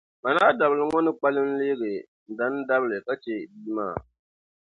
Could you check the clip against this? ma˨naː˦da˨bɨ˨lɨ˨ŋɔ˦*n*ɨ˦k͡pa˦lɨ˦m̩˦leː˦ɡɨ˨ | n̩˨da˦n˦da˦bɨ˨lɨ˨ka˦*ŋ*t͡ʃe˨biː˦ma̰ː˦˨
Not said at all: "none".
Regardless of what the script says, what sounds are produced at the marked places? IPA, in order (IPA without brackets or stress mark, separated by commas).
n, none